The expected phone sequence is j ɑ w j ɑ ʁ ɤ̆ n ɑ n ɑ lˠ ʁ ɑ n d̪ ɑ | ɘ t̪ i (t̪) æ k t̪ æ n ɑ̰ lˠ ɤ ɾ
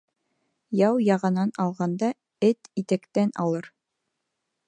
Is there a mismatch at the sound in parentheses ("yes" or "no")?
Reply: no